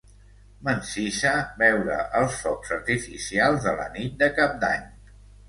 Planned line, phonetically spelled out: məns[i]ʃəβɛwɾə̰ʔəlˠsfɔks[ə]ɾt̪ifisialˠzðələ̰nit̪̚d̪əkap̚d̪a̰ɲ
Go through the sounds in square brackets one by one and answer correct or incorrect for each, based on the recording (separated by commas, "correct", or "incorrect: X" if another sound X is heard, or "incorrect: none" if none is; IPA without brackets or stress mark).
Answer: correct, correct